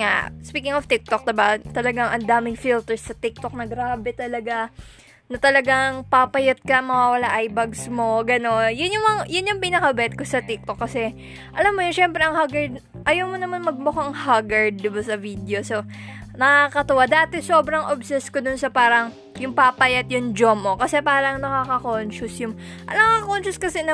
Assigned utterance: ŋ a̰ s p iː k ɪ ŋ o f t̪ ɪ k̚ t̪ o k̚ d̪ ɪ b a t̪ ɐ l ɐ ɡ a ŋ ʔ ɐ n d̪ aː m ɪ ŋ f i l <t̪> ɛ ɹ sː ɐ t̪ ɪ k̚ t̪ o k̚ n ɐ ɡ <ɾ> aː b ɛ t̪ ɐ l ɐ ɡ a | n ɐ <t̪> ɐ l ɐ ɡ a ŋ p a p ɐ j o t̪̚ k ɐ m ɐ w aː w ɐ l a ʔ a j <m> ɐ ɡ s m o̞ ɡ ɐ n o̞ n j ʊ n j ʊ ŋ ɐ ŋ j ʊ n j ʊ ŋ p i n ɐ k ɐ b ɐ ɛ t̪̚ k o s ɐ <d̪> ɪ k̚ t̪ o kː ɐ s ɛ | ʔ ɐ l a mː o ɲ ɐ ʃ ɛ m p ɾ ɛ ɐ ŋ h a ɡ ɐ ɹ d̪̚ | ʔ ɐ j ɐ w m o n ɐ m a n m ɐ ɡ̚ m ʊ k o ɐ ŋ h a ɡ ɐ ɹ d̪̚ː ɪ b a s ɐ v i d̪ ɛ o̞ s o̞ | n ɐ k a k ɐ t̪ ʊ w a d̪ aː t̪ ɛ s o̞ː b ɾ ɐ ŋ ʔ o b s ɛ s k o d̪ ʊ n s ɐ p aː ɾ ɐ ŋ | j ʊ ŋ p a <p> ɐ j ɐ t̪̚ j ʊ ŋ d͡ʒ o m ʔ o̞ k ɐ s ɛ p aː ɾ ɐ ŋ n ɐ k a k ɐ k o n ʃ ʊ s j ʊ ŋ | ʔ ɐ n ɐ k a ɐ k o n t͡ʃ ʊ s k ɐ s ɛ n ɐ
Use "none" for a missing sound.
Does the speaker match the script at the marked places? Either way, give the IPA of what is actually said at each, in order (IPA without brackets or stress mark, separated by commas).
t̪, ɾ, t̪, b, t̪, p